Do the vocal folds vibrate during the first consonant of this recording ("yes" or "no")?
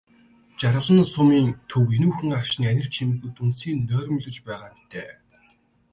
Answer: no